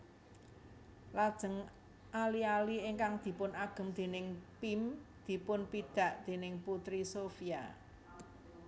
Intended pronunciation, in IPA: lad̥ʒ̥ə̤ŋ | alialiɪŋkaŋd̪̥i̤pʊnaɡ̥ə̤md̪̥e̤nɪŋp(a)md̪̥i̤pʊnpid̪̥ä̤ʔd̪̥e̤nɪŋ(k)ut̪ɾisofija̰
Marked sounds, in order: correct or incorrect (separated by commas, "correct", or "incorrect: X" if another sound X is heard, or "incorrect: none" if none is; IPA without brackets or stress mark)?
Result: incorrect: i, incorrect: p